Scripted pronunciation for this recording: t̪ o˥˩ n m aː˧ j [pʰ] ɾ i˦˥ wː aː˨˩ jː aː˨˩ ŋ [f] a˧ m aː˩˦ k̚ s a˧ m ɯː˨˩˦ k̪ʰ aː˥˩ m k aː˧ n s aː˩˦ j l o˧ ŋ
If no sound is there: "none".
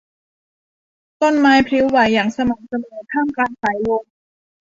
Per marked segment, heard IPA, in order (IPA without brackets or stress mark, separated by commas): pʰ, s